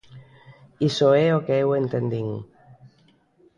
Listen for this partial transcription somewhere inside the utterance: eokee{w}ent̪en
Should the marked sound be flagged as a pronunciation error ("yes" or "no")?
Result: no